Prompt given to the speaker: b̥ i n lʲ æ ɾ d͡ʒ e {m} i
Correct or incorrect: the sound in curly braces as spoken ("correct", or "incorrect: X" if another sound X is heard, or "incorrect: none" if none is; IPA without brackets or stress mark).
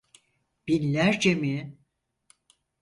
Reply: correct